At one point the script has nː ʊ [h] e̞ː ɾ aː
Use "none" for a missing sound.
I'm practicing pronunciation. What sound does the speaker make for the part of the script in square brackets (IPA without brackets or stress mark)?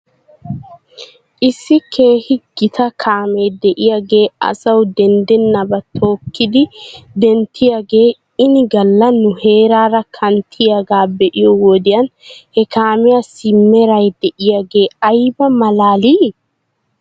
h